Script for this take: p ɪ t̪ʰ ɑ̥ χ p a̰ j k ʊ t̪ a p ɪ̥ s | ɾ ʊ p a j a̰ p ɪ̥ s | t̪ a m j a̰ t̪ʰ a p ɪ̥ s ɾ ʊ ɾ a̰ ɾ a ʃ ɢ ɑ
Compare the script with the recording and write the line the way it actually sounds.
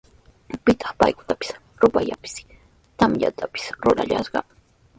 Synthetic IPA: p ɪ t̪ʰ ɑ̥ χ p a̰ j k ʊ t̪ a p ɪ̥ s | ɾ ʊ p a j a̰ p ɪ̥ s | t̪ a m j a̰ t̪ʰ a p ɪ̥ s ɾ ʊ ɾ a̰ ʎ a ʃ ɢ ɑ